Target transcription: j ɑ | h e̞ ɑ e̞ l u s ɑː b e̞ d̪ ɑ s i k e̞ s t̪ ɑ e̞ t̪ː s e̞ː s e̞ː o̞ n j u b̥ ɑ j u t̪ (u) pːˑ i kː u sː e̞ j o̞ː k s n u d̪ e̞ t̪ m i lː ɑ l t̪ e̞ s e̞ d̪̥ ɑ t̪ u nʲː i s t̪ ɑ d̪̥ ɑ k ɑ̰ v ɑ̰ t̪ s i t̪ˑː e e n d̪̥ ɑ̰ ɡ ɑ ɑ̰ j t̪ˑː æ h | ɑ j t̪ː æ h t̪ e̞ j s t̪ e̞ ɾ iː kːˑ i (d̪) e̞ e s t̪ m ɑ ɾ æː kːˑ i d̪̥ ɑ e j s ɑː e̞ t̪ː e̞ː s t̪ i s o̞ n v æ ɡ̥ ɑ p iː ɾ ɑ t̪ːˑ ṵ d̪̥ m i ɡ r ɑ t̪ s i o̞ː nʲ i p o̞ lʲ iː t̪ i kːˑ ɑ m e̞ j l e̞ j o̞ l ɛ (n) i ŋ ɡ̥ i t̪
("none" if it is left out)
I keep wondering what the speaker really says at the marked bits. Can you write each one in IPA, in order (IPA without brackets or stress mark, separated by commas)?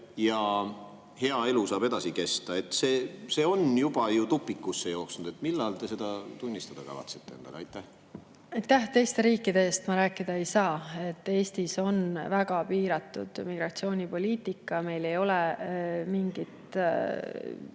u, d̪, m